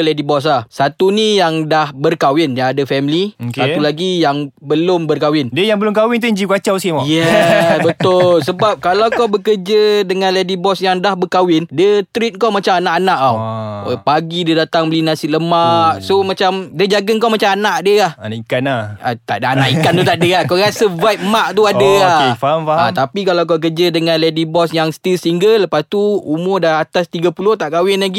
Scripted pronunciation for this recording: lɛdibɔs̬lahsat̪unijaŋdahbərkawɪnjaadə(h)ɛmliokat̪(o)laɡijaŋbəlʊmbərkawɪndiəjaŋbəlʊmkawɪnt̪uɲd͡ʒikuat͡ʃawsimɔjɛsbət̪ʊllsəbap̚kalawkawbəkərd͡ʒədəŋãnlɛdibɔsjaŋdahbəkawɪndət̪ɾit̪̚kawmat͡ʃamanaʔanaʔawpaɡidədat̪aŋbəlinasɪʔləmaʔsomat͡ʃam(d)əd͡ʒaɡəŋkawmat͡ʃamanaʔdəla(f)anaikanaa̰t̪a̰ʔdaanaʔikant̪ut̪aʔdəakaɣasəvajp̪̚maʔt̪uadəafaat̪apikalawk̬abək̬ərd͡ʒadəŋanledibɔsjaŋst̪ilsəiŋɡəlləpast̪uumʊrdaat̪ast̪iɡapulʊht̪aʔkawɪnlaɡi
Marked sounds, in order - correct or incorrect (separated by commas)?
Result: incorrect, incorrect, correct, incorrect